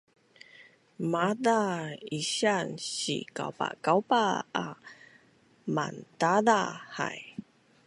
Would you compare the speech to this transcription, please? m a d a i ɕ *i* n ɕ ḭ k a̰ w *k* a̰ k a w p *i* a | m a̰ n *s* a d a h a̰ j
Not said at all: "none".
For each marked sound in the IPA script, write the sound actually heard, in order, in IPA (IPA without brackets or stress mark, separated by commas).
a, p, a, t